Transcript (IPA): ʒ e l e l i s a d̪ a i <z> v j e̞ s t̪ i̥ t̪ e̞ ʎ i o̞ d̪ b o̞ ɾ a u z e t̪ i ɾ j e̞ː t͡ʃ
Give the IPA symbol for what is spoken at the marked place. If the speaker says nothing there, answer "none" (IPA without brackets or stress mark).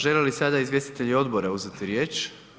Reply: z